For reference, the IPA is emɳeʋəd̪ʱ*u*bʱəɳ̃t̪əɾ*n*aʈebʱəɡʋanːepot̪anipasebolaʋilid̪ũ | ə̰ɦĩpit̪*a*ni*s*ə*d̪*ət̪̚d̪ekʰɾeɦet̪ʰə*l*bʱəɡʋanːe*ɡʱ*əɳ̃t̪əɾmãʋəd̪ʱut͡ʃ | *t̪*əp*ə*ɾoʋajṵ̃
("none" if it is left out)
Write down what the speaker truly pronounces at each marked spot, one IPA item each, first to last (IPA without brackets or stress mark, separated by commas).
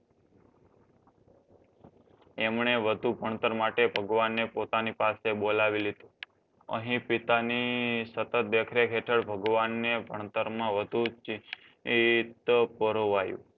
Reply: u, m, a, s, t̪, ɭ, bʱ, t̪, ə